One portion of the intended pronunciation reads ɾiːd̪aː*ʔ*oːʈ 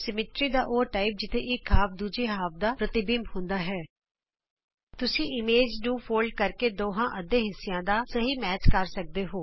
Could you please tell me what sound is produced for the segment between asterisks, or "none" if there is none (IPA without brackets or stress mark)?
ʔ